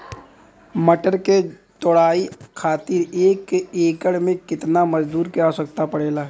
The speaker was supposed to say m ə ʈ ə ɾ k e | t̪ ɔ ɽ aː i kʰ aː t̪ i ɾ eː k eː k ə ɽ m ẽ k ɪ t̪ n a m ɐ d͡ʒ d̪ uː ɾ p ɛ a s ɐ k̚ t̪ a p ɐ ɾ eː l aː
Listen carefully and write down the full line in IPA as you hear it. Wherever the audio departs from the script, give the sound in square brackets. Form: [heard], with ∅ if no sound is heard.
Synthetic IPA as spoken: m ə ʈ ə ɾ k e | t̪ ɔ ɽ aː i kʰ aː t̪ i ɾ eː k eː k ə ɽ m ẽ k ɪ t̪ n a m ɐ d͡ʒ d̪ uː ɾ [k] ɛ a s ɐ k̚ t̪ a p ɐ [ɽ] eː l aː

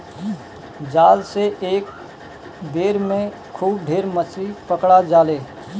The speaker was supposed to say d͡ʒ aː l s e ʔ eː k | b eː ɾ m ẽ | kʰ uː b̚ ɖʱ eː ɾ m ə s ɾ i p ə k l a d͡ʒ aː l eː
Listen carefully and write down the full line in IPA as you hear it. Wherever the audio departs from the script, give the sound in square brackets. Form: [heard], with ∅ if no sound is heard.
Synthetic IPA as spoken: d͡ʒ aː l s e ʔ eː k | b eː ɾ m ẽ | kʰ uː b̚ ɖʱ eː ɾ m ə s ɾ i p ə k [ɽ] a d͡ʒ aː l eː

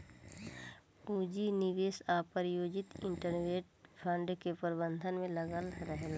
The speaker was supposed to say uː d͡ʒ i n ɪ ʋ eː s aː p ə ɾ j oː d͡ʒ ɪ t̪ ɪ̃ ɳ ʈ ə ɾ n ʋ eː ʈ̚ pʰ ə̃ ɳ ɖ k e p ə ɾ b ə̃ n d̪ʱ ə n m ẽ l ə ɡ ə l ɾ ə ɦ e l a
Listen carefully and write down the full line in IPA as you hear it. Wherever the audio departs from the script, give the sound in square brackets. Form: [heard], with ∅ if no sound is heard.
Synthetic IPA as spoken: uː d͡ʒ i n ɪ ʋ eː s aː p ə ɾ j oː d͡ʒ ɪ t̪ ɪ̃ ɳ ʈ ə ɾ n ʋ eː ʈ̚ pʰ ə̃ ɳ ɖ k e p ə ɾ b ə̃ n d̪ʱ ə n m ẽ l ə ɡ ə l ɾ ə ɦ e l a

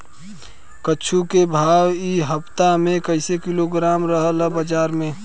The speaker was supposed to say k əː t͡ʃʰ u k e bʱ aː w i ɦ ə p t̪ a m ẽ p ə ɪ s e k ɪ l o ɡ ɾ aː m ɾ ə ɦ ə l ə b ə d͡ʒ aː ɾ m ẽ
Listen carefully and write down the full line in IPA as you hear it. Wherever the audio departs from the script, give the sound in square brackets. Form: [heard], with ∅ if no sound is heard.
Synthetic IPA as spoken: k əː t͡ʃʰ u k e bʱ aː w i ɦ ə p t̪ a m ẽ [k] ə ɪ s e k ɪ l o ɡ ɾ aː m ɾ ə ɦ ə l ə b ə d͡ʒ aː ɾ m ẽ

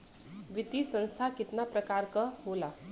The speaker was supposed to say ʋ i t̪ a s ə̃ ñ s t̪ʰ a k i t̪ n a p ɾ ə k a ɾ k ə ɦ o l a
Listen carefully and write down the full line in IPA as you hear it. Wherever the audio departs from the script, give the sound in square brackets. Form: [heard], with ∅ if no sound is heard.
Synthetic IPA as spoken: ʋ i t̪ [i] s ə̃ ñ s t̪ʰ a k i t̪ n a p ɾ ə k a ɾ k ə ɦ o l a

